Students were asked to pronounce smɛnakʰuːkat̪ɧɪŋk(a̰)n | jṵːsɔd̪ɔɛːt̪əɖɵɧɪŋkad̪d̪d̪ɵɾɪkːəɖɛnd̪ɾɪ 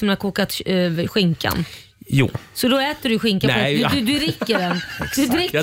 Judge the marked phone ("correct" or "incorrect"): correct